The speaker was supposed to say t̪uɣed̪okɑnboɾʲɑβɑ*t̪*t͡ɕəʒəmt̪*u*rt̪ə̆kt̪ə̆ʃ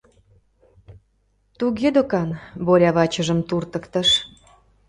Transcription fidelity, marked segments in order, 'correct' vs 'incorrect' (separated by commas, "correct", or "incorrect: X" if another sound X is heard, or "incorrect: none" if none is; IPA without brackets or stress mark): incorrect: none, correct